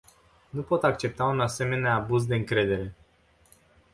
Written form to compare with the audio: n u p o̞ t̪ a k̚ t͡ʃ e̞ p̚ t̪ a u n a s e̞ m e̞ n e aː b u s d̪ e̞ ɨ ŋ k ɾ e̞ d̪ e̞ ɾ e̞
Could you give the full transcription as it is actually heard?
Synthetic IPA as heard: n u p o̞ t̪ a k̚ t͡ʃ e̞ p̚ t̪ a u n a s e̞ m e̞ n e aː b u z d̪ e̞ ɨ ŋ k ɾ e̞ d̪ e̞ ɾ e̞